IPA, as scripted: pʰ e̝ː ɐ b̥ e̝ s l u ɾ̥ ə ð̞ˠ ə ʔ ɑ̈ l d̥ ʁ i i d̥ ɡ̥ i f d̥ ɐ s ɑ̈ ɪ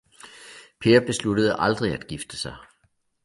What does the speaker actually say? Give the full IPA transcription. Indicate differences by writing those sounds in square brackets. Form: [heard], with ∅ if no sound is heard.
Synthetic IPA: pʰ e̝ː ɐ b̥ e̝ s l u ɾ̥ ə ð̞ˠ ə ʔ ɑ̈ l d̥ ʁ i [æ] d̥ ɡ̥ i f d̥ [ə] s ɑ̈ ɪ